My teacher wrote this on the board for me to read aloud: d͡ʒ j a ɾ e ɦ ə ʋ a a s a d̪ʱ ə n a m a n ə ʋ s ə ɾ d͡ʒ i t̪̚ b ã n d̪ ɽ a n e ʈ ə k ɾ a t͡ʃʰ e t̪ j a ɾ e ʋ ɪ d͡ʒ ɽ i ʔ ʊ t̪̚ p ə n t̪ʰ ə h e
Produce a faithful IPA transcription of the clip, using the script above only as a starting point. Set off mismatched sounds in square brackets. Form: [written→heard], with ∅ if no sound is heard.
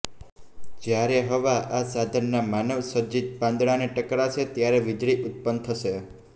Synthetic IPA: d͡ʒ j a ɾ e ɦ ə ʋ a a s a d̪ʱ ə [n→nː] a m a n ə ʋ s ə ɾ d͡ʒ i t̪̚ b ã n d̪ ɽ a n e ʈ ə k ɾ a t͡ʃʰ e t̪ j a ɾ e ʋ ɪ d͡ʒ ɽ i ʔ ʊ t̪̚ p ə n t̪ʰ ə [h→ʃ] e